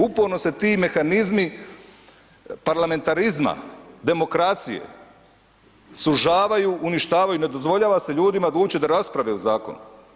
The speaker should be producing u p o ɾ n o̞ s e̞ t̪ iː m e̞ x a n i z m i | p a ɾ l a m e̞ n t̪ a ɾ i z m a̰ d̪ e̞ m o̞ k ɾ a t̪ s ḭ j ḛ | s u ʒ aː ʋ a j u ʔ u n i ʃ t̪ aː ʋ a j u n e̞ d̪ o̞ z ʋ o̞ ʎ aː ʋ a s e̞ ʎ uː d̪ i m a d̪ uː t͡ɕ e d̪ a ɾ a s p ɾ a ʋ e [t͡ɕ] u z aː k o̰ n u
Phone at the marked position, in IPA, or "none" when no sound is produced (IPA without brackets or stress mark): none